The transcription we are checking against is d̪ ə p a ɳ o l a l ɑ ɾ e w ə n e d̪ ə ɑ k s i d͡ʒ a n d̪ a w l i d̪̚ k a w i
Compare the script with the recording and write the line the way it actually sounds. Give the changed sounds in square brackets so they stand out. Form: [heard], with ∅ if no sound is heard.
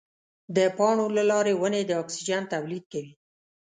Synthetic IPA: d̪ ə p [ɑ] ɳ o l a l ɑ ɾ e w ə n e d̪ ə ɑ k s i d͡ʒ a n [t̪] a w l i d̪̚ k a w i